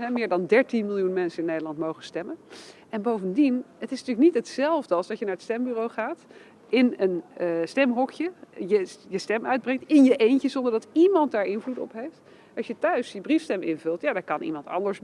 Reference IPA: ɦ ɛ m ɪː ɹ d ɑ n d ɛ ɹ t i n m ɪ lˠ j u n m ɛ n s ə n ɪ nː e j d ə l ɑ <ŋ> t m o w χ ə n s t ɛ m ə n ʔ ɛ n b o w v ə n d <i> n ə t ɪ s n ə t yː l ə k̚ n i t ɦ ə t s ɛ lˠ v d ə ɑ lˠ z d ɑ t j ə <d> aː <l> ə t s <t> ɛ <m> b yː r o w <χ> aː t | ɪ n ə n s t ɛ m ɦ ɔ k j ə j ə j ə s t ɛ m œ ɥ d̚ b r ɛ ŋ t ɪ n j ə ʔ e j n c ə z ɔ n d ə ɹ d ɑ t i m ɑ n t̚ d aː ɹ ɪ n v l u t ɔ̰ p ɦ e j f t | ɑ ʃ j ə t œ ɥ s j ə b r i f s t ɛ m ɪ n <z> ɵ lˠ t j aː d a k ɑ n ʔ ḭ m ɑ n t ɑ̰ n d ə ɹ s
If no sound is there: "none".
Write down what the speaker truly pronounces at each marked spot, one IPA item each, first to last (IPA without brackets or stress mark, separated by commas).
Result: n, i, n, ɹ, t, m, χ, v